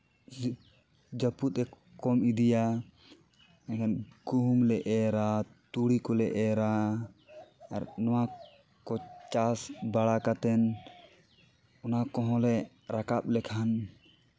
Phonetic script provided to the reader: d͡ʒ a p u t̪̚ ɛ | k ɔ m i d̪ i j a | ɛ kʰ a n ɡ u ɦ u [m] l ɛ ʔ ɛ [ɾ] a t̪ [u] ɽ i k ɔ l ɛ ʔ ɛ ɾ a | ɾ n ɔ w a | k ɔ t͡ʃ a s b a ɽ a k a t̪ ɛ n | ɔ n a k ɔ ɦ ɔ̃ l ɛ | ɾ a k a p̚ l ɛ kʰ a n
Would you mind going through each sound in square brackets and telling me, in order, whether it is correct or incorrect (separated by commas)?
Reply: correct, correct, correct